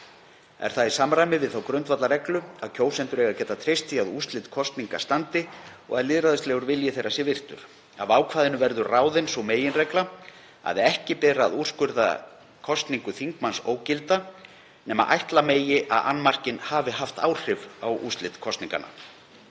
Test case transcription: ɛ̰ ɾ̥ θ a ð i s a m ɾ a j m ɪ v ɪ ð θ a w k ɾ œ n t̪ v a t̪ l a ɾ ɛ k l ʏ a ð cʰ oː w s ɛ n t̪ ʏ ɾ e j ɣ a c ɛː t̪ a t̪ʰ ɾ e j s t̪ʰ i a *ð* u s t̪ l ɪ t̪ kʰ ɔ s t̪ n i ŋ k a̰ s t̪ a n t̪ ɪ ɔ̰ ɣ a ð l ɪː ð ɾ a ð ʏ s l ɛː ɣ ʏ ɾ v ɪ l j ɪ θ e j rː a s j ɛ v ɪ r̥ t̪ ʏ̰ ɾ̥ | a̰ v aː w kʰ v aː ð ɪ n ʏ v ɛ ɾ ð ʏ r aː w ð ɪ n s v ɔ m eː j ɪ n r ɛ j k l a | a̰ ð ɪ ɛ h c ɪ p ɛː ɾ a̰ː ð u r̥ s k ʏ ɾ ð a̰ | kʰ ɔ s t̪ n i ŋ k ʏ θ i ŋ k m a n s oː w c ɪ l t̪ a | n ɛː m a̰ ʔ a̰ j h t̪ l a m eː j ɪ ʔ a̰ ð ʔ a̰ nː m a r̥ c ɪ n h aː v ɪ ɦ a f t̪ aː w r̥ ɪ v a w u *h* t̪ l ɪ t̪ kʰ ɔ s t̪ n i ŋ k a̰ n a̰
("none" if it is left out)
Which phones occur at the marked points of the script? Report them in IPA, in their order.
ð, s

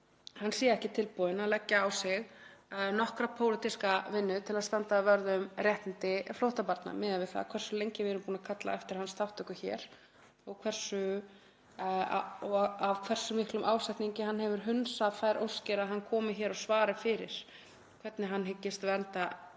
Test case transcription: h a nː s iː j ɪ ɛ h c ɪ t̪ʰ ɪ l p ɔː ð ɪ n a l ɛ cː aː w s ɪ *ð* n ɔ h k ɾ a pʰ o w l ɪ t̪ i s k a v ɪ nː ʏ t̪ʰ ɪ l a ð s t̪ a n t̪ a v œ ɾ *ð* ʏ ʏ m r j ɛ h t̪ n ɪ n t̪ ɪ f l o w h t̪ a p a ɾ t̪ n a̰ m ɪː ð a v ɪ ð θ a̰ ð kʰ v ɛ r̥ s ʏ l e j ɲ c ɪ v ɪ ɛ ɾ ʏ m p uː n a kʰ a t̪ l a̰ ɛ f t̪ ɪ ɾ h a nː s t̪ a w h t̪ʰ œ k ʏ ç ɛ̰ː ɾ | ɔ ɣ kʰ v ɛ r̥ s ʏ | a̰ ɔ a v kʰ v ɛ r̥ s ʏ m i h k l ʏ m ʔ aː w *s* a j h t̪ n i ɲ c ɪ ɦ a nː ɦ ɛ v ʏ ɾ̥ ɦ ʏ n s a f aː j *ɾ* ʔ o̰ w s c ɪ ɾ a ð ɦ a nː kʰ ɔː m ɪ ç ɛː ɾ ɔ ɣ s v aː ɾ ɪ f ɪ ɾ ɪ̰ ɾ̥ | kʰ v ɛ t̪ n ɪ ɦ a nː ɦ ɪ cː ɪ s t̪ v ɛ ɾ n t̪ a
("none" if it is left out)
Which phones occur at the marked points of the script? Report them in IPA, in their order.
ɣ, ð, s, ɾ

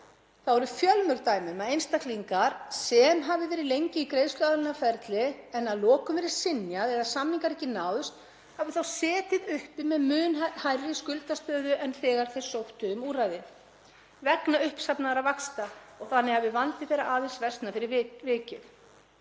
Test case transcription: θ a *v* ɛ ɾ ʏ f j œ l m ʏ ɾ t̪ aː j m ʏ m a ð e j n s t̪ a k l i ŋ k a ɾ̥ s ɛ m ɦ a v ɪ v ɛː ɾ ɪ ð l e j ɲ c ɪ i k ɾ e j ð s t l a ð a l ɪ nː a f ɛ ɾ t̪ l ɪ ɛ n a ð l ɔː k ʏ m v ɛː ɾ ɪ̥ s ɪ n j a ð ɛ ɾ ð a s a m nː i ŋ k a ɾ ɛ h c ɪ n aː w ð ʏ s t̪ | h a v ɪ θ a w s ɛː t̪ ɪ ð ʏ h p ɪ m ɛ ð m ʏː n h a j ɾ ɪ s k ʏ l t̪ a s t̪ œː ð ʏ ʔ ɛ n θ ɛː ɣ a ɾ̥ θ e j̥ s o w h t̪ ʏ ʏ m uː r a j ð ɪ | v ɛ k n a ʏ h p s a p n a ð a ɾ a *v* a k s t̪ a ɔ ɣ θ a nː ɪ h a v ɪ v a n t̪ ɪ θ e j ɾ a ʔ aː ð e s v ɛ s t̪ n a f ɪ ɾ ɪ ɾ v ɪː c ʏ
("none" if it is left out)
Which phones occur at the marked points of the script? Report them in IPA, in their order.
w, v

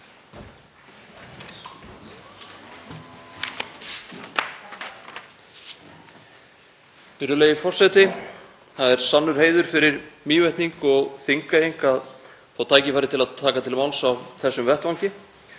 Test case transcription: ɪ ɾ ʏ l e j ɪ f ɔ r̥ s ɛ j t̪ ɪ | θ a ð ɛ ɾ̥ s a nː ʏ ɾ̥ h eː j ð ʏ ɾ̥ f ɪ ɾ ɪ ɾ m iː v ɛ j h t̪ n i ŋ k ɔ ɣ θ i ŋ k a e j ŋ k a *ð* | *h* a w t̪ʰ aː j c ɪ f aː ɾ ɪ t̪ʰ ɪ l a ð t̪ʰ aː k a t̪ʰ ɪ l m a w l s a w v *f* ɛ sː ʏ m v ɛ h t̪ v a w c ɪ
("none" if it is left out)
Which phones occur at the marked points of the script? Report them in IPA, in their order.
ð, θ, θ

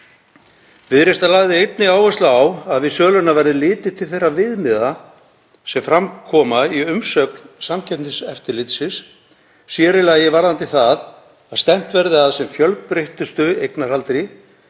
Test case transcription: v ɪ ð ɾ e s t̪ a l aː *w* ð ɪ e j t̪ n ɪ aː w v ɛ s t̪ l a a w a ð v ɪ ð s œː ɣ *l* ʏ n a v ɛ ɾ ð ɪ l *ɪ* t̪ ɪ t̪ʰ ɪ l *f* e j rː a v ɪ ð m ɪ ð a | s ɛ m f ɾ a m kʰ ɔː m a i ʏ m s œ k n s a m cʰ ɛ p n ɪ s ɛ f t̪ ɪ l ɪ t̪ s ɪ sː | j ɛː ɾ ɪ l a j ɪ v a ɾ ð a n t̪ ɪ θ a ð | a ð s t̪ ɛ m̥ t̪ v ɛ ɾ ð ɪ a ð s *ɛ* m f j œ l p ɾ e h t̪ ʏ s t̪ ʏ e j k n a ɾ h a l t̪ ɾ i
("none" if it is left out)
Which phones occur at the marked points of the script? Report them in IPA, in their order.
ɣ, l, ɪː, θ, ɛ

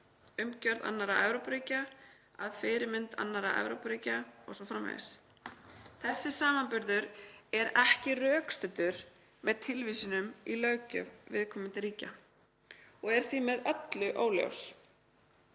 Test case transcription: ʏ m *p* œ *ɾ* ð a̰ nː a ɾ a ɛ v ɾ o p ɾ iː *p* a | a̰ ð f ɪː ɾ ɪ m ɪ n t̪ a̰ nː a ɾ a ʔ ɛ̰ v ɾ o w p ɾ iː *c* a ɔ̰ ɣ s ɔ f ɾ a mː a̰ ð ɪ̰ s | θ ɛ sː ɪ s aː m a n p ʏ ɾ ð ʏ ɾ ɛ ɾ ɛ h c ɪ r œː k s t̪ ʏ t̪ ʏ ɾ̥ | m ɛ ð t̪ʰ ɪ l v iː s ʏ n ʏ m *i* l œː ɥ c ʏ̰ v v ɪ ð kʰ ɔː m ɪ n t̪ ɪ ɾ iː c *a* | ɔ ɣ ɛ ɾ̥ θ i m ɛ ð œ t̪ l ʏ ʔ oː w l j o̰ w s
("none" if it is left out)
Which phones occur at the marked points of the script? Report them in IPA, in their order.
c, ɾ, c, c, i, a

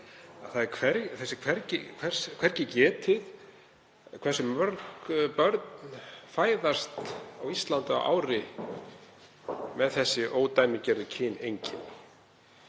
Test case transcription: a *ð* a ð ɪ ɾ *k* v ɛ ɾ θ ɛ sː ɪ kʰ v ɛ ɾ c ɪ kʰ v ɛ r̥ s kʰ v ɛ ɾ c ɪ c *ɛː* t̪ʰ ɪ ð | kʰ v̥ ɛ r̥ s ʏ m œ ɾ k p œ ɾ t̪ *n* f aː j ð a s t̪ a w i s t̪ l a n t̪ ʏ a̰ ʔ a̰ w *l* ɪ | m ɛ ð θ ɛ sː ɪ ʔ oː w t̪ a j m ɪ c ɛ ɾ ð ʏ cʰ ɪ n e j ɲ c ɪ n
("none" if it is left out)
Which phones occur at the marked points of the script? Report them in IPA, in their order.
θ, kʰ, ɛː, n, ɾ

